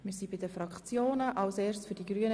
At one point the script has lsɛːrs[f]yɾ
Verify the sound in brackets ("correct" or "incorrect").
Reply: correct